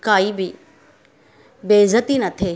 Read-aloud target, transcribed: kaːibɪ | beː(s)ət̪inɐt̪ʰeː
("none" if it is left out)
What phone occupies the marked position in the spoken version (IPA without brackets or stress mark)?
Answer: z